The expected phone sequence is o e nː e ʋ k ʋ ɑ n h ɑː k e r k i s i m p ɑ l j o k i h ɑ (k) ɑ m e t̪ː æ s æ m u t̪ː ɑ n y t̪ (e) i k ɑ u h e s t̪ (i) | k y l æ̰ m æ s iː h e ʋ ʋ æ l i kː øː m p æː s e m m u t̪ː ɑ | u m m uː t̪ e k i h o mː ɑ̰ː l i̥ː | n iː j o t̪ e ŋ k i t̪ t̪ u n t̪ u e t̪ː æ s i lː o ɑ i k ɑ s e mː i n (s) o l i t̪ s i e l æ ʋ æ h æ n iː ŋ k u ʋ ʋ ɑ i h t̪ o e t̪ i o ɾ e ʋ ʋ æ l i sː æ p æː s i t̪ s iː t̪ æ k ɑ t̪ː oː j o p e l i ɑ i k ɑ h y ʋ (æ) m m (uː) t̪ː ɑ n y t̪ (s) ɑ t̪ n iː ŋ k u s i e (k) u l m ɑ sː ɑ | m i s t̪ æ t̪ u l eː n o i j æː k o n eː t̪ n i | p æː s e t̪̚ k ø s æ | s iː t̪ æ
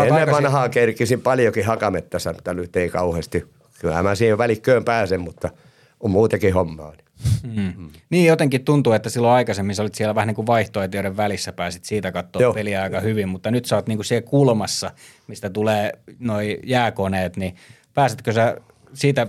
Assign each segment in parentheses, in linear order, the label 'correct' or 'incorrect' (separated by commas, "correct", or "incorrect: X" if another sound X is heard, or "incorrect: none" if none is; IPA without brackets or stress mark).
correct, correct, correct, correct, incorrect: i, incorrect: u, correct, correct